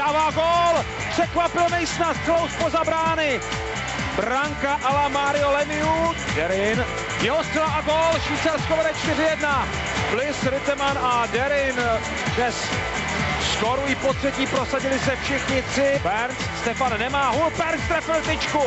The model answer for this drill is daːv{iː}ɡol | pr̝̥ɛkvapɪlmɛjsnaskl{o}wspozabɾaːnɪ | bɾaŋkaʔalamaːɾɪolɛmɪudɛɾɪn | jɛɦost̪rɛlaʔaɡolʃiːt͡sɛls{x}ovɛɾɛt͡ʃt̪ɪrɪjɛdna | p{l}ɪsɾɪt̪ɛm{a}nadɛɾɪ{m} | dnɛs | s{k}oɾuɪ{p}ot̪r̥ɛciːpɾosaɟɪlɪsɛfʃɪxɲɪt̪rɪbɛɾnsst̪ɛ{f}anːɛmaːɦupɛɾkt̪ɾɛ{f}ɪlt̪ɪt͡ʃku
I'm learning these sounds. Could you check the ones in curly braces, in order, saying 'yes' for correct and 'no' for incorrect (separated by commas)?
no, yes, no, yes, yes, no, yes, yes, yes, yes